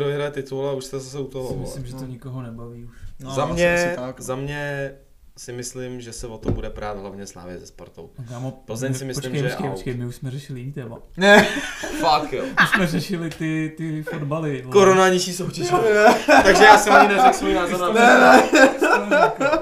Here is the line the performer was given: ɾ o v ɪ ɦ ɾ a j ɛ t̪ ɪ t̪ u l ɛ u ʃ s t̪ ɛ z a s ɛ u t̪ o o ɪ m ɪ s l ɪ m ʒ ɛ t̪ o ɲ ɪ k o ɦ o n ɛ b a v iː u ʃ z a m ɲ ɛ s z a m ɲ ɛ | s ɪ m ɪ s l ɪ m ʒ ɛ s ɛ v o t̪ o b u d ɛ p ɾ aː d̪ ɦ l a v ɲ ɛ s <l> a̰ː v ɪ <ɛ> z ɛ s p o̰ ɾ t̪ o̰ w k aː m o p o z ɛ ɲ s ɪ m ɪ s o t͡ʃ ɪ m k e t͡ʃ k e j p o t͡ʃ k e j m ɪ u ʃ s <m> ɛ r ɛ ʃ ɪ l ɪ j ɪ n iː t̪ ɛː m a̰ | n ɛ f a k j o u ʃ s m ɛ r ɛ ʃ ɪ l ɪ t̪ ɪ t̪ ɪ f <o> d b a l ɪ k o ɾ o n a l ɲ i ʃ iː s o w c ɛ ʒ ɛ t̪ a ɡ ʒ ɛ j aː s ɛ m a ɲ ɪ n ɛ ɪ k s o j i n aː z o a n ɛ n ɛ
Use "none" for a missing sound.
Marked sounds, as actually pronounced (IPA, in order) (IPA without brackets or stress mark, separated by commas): l, ɛ, m, o